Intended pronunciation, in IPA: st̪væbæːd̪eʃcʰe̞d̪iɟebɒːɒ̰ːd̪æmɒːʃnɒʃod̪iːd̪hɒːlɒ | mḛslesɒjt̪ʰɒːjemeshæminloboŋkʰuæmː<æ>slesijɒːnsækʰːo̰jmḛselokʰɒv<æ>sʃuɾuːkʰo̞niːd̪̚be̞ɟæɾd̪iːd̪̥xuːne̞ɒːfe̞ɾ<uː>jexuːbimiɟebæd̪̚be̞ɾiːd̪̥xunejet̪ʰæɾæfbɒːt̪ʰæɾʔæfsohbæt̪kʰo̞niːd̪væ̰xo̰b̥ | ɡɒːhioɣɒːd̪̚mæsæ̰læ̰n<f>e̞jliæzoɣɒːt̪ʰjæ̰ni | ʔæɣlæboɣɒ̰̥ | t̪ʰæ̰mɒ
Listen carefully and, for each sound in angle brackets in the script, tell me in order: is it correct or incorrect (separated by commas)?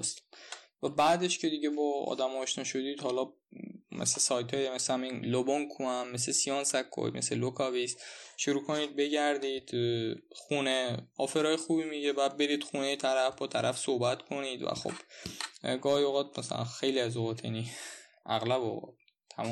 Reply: incorrect, incorrect, incorrect, incorrect